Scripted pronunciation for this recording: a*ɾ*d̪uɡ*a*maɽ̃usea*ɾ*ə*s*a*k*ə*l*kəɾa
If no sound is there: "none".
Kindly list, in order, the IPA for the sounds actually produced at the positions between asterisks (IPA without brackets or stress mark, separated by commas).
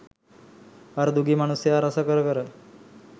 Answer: ɾ, i, ɾ, s, k, ɾ